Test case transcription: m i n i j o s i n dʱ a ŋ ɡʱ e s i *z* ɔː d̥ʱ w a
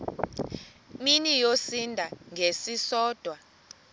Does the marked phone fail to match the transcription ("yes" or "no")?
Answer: yes